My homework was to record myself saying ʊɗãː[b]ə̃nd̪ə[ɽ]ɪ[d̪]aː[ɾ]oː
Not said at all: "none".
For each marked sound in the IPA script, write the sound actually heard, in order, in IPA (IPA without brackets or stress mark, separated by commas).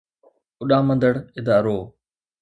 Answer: m, ɽ, d̪, ɾ